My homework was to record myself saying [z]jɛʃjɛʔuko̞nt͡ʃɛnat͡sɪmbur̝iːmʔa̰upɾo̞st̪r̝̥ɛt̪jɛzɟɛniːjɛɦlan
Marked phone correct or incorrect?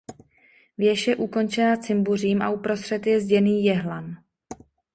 incorrect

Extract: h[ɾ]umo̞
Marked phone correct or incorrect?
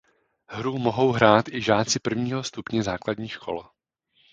correct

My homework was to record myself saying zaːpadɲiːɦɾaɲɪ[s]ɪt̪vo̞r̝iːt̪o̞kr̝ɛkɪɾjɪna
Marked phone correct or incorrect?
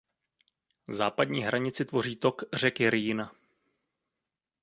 incorrect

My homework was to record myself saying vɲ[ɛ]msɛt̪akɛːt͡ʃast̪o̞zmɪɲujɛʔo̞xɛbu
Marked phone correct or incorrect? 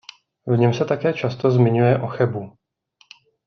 correct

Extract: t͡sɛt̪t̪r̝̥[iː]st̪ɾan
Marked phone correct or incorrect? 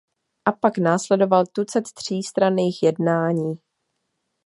correct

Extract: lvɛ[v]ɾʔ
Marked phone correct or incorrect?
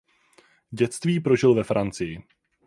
incorrect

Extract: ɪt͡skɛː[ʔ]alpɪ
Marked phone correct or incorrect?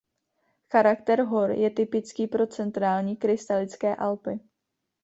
correct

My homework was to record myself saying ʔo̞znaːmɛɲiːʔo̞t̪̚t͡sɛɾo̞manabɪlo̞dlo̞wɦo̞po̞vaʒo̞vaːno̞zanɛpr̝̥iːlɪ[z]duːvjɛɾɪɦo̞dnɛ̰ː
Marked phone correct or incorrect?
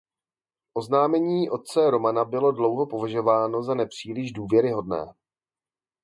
incorrect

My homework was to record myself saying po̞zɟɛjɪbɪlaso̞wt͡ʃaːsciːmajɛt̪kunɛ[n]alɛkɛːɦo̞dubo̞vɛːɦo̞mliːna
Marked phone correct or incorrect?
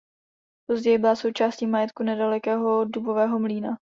incorrect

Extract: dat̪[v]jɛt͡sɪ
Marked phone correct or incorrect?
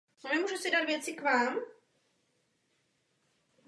correct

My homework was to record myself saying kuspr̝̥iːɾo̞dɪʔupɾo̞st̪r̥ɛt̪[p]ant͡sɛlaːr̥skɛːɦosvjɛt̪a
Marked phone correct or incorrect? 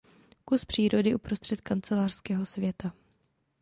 incorrect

